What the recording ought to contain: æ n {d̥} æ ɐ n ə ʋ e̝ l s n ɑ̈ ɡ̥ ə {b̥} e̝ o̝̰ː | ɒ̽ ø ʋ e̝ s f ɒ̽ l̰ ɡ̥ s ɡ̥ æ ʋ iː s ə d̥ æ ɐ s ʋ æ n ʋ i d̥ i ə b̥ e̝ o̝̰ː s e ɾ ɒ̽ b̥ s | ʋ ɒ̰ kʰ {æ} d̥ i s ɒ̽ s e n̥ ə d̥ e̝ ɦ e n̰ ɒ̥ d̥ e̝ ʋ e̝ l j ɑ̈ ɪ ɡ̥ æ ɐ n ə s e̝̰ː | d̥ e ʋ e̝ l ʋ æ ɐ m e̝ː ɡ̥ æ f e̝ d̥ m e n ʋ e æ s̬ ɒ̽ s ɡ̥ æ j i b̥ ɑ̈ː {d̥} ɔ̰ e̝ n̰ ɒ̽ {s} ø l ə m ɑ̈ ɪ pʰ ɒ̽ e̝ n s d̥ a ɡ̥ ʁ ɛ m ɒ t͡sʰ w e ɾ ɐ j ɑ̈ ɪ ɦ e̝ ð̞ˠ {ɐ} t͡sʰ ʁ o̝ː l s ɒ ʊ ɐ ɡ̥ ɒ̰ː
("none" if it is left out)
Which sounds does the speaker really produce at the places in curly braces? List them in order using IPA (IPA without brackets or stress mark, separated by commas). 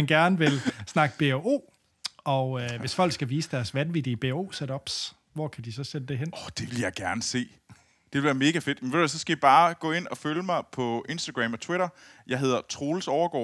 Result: ɡ̥, b̥, æ, ɡ̥, f, ɐ